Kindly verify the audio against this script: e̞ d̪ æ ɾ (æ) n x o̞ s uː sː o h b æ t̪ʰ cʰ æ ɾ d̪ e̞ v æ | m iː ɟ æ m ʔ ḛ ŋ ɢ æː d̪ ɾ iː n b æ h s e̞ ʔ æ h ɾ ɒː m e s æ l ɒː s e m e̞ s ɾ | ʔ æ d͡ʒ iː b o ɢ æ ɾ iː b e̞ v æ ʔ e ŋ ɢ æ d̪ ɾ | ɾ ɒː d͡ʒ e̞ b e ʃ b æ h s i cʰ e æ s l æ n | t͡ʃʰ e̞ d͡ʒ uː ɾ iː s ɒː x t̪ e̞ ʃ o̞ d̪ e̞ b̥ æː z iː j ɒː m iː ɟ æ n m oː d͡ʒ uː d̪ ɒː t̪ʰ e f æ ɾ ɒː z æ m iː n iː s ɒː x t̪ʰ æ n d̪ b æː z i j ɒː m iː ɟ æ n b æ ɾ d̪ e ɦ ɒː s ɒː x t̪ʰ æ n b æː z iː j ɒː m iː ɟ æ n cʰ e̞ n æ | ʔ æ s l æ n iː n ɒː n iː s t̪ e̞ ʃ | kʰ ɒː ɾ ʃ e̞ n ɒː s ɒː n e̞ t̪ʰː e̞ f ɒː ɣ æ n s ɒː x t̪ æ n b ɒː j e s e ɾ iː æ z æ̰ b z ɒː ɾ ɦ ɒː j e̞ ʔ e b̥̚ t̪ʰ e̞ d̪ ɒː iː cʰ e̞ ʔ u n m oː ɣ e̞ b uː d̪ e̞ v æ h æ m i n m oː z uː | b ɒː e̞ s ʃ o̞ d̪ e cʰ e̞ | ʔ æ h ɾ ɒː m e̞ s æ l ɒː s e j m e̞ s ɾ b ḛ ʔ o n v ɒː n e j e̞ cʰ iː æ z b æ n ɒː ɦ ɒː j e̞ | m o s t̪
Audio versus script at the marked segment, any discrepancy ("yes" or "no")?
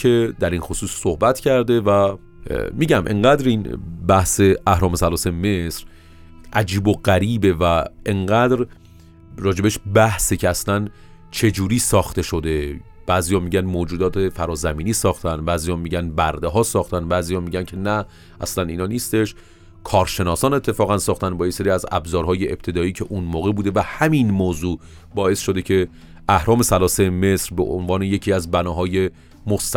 yes